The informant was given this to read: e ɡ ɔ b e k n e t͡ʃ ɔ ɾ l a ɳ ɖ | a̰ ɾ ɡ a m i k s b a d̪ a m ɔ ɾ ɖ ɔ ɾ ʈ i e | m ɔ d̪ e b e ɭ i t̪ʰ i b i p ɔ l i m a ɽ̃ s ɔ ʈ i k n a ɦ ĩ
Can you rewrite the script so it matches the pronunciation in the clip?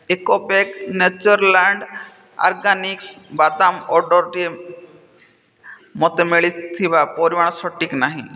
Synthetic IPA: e k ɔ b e k n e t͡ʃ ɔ ɾ l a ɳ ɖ | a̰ ɾ ɡ a n i k s b a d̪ a m ɔ ɾ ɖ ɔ ɾ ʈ i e | m ɔ t̪ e m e ɭ i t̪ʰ i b a p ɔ ɾ i m a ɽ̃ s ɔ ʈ i k n a ɦ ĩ